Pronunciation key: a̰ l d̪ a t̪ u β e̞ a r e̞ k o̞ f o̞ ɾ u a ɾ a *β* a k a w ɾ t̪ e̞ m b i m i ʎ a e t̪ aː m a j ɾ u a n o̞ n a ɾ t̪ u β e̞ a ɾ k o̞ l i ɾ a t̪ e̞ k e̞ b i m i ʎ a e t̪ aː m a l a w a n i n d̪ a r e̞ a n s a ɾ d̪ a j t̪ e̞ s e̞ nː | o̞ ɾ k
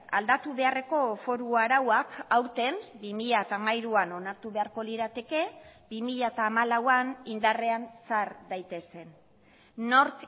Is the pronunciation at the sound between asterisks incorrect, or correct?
incorrect